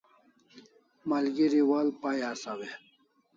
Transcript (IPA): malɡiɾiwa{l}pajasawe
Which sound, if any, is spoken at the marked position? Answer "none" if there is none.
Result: l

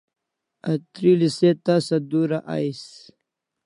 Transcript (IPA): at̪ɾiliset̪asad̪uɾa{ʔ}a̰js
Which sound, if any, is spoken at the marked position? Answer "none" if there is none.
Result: ʔ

